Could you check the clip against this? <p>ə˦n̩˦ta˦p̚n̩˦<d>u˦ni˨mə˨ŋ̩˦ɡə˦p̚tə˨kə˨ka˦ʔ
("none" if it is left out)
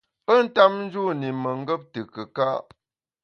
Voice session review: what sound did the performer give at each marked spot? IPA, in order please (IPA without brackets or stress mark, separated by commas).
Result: p, d͡ʒ